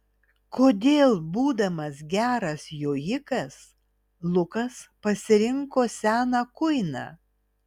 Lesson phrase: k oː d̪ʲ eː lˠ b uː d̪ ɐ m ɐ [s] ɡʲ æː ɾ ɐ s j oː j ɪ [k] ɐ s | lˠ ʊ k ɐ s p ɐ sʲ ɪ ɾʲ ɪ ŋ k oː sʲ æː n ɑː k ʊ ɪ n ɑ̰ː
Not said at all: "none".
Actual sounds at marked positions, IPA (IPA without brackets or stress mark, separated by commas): s, k